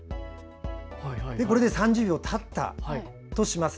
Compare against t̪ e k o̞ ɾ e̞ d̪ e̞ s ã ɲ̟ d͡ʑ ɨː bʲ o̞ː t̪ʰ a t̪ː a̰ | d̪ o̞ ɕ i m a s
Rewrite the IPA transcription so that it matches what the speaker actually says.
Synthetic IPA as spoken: d̪ e k o̞ ɾ e̞ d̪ e̞ s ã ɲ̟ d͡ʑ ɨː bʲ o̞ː t̪ʰ a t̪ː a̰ | t̪ o̞ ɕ i m a s